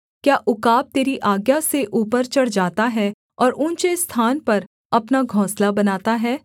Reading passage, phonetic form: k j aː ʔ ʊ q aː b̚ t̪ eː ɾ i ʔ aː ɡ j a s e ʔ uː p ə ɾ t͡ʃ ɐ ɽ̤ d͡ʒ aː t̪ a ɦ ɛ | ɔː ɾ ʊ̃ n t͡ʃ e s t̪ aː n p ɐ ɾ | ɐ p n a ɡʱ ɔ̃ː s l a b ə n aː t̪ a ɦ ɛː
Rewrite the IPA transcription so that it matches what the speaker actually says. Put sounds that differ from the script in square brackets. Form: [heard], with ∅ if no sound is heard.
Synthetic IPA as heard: k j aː ʔ ʊ [k] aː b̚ t̪ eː ɾ i ʔ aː ɡ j a s e ʔ uː p ə ɾ t͡ʃ ɐ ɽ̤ d͡ʒ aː t̪ a ɦ ɛ | ɔː ɾ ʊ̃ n t͡ʃ e s [t̪ʰ] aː n p ɐ ɾ | ɐ p n a ɡʱ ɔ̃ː s l a b [ɐ] n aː t̪ a ɦ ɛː